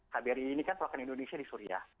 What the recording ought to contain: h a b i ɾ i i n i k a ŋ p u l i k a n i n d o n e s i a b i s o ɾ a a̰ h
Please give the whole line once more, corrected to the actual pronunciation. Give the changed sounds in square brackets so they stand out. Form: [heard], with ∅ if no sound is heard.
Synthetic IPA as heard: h a b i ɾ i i n i k a [n] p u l [a] k a n i n d o n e s i a [d] i s [u] ɾ [i] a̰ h